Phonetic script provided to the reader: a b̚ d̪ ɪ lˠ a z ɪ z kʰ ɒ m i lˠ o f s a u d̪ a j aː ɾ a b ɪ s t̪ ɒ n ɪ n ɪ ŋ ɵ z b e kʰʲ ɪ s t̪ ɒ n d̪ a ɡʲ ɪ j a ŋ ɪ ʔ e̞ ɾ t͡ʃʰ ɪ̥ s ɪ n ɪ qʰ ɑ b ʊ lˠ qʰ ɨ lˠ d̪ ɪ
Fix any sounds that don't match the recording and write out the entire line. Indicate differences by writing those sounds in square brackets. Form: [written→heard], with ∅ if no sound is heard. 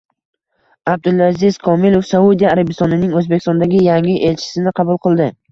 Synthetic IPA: a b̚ d̪ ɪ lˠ a z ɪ z kʰ ɒ m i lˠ o f s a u d̪ [a→i] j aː ɾ a b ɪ s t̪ ɒ n ɪ n ɪ ŋ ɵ z b e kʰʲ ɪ s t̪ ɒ n d̪ a ɡʲ ɪ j a ŋ ɪ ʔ e̞ [ɾ→l] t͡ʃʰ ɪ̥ s ɪ n ɪ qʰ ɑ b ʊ lˠ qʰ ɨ lˠ d̪ ɪ